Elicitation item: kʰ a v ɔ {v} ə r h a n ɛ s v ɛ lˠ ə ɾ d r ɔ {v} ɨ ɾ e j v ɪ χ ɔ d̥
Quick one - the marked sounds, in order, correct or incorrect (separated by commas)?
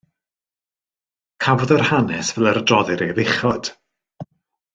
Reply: incorrect, incorrect